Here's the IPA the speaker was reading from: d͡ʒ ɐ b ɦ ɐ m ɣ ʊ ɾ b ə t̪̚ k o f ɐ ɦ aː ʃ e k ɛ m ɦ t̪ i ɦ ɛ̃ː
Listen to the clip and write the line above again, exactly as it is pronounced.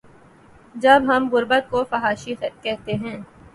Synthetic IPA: d͡ʒ ɐ b ɦ ɐ m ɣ ʊ ɾ b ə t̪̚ k o f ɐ ɦ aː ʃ i k ɛ ɦ t̪ e ɦ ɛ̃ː